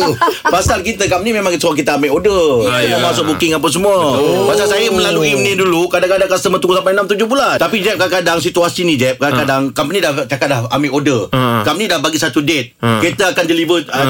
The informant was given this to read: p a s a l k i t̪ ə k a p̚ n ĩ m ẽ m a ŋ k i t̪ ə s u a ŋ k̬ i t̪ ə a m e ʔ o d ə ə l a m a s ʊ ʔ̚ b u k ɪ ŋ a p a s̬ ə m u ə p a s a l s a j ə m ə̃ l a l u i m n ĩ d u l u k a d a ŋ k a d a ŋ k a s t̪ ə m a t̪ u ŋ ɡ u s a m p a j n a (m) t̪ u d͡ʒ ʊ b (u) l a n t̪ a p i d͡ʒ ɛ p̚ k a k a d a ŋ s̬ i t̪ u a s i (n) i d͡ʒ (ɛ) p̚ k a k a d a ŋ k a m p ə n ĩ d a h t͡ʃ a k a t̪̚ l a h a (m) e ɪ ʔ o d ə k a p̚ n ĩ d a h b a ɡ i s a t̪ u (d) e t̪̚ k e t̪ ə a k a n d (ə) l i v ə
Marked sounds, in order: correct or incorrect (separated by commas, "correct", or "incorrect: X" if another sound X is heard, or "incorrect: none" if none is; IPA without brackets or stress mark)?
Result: correct, correct, correct, correct, correct, correct, correct